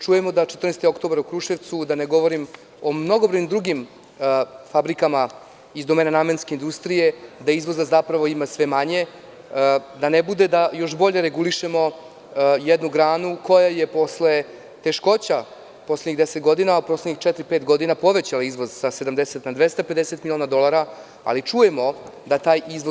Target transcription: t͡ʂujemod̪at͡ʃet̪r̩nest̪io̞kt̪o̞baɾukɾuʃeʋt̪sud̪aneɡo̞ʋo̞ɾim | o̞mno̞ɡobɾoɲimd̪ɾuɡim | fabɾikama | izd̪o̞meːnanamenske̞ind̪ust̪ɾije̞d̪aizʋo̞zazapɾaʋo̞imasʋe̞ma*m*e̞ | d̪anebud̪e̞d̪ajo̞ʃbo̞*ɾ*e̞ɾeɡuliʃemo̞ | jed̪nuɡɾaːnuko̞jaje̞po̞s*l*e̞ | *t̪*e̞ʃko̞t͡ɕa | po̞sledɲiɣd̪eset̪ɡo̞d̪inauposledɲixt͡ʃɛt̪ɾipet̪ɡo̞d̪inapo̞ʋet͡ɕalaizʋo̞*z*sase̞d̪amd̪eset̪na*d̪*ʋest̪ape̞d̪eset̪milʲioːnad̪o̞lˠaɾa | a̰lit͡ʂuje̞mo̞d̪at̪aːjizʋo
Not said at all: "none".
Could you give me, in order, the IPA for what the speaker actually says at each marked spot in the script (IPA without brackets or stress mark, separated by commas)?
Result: ɲ, ʎ, l, t̪, z, d̪